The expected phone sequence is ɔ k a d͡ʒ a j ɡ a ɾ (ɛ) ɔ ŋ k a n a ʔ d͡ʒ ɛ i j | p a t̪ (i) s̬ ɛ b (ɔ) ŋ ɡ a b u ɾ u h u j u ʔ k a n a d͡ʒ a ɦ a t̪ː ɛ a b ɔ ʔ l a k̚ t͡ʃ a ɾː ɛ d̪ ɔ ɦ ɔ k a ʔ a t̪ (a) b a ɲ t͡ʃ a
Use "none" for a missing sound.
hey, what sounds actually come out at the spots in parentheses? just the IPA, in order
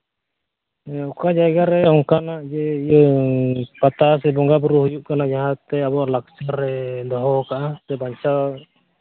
ɛ, a, ɔ, ɛ

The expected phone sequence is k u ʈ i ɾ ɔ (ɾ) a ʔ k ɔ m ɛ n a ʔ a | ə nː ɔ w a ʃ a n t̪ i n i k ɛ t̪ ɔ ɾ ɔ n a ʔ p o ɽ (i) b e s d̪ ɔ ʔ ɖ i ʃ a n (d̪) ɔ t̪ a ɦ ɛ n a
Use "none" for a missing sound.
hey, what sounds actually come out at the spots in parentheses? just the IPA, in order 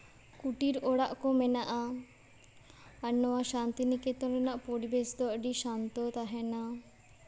ɽ, i, t̪

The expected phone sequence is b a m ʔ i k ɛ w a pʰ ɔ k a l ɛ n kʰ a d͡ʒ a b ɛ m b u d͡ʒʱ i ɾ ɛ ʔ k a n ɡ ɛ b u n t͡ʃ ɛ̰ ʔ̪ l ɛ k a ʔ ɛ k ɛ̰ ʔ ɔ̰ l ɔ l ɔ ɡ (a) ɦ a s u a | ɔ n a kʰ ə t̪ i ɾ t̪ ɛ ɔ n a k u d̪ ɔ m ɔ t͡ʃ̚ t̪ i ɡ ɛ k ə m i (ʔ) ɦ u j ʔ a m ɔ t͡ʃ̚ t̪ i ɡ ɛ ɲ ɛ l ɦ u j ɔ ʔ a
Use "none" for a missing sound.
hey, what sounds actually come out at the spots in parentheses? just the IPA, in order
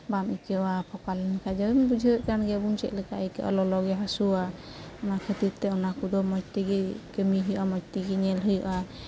ɛ, none

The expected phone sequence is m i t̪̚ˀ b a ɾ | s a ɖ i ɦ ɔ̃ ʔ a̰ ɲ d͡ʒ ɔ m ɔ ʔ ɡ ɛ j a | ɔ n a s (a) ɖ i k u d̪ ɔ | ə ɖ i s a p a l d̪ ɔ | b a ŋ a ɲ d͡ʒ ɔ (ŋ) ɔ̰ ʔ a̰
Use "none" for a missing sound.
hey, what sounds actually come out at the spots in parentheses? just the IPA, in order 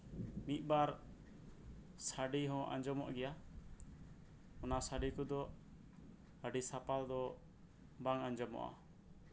a, m

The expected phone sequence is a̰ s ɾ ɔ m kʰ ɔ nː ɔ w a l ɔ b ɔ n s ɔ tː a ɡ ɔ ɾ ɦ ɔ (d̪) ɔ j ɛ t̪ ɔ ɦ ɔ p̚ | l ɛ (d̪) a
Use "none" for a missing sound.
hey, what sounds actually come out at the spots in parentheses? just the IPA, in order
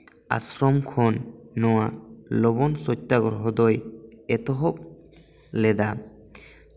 d̪, d̪

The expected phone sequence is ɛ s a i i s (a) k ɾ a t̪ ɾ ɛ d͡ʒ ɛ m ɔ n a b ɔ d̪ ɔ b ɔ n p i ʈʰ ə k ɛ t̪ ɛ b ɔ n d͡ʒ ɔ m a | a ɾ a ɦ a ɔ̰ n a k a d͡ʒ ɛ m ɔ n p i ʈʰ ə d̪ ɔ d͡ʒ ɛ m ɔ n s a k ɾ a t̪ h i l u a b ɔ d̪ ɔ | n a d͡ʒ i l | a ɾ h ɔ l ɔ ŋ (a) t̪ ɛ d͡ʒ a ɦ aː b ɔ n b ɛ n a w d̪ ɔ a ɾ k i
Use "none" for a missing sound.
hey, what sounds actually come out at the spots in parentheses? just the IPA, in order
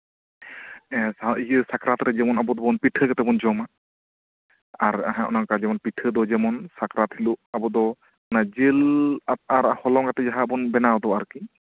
a, a

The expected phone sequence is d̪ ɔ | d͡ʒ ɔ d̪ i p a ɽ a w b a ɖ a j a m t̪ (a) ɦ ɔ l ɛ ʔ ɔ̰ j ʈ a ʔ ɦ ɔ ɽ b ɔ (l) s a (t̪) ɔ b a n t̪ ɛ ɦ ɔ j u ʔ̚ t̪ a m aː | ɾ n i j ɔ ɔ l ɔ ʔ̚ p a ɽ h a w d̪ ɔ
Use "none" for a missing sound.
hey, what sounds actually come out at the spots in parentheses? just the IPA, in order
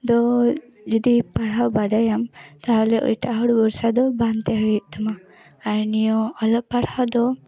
a, ɾ, d̪

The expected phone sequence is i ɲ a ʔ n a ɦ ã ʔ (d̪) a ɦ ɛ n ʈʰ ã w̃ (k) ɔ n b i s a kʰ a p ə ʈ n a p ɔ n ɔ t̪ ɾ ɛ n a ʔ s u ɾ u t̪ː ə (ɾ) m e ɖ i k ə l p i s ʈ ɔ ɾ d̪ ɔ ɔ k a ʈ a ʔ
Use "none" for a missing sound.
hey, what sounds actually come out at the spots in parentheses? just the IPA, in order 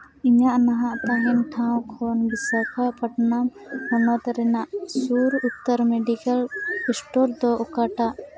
t̪, kʰ, ɾ

